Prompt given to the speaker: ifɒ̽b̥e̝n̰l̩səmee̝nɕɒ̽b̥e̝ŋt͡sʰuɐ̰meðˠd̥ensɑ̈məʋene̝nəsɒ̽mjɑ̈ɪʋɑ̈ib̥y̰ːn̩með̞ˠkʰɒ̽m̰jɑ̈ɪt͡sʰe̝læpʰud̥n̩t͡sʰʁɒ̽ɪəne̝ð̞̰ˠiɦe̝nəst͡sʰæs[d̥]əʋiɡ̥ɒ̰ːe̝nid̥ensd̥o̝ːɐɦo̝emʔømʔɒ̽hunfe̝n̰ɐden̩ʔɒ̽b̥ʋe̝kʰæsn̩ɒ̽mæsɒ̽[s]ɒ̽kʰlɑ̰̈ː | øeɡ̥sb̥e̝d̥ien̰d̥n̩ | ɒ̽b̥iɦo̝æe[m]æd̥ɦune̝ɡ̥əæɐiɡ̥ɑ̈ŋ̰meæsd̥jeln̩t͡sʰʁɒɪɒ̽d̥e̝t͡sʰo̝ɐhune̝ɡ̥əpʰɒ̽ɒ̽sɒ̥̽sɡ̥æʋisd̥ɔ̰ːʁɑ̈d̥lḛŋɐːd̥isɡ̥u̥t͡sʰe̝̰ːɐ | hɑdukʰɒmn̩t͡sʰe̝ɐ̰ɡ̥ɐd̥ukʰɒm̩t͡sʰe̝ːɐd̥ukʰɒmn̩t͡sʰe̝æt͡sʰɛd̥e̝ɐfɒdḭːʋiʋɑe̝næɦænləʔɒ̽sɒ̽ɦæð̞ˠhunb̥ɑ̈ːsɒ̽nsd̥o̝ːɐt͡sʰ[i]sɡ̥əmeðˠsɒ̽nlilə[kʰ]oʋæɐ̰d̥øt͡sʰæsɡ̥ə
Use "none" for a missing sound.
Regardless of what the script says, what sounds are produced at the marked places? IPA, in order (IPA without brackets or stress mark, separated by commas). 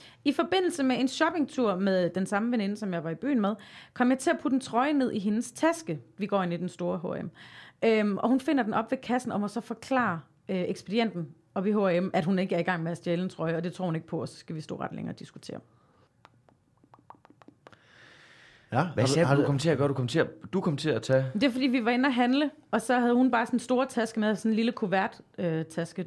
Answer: ɡ̥, f, m, æ, kʰ